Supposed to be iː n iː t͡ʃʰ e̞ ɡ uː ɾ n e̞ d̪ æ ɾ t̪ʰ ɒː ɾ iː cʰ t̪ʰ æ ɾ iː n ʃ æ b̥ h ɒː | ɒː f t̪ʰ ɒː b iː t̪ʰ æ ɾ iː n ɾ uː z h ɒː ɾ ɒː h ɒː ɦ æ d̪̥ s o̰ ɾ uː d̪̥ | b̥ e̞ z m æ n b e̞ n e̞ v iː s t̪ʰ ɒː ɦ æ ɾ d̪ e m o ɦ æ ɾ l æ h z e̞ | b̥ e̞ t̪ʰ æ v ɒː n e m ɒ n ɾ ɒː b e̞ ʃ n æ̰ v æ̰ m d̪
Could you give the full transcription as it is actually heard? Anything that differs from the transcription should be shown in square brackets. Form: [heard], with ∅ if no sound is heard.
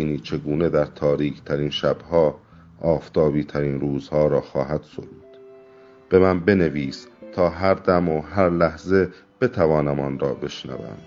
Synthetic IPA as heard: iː n iː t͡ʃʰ e̞ ɡ uː [∅] n e̞ d̪ æ ɾ t̪ʰ ɒː ɾ iː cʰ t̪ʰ æ ɾ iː n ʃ æ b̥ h ɒː | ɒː f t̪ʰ ɒː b iː t̪ʰ æ ɾ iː n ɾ uː z h ɒː ɾ ɒː [x] ɒː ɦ æ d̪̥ s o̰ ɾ uː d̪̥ | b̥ e̞ [∅] m æ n b e̞ n e̞ v iː s t̪ʰ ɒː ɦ æ ɾ d̪ [æ] m o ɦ æ ɾ l æ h z e̞ | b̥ e̞ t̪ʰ æ v ɒː n [æ] m ɒ n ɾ ɒː b e̞ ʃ n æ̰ v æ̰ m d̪